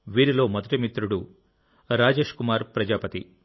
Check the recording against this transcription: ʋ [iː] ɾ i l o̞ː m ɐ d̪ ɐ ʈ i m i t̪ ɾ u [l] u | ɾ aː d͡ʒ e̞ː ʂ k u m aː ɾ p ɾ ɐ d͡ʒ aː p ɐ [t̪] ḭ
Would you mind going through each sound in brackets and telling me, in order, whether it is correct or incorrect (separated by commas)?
correct, incorrect, correct